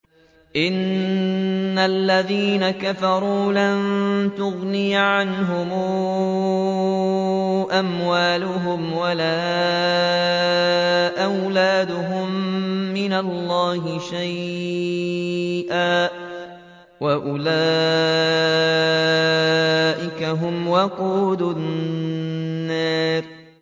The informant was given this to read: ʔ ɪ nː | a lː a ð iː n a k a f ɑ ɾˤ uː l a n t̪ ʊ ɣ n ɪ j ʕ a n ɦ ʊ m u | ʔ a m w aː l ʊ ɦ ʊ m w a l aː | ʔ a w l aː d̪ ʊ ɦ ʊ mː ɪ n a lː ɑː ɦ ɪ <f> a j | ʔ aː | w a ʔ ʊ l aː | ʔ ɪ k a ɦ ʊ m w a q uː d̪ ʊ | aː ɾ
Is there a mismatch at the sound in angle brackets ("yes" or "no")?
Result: yes